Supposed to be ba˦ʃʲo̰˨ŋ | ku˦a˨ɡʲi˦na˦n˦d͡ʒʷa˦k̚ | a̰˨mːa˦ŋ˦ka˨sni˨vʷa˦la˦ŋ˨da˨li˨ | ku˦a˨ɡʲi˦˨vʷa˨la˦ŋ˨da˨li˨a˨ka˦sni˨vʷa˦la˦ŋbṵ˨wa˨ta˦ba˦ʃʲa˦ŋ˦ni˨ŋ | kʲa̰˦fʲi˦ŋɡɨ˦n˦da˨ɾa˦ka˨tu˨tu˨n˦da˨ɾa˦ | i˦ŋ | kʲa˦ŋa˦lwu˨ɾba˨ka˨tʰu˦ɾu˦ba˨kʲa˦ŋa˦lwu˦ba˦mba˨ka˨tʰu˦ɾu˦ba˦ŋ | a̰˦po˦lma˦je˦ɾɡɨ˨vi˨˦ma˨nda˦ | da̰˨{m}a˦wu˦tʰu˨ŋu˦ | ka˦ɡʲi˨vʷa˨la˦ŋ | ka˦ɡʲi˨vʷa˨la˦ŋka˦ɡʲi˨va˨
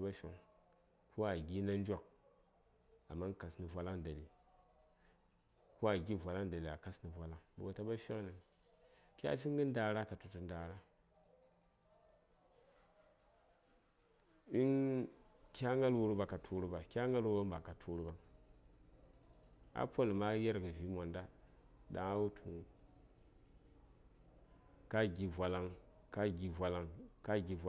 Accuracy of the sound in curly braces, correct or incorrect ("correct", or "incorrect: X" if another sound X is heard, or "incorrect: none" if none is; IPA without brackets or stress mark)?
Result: incorrect: ŋ